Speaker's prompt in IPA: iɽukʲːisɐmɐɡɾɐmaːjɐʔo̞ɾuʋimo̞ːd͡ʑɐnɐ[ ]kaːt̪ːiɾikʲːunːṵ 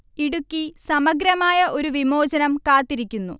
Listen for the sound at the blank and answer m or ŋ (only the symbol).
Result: m